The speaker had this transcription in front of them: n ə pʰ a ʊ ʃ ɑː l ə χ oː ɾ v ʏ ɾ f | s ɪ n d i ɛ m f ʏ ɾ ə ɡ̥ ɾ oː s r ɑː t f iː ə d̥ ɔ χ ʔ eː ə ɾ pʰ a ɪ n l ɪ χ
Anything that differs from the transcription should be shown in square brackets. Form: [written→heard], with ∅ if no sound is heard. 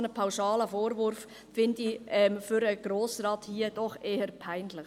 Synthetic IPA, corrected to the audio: n ə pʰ a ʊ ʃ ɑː l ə [χ→f] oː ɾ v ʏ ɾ f | [s→f] ɪ n d i ɛ m f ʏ ɾ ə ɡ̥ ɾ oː s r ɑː t [f→h] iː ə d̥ ɔ χ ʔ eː ə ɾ pʰ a ɪ n l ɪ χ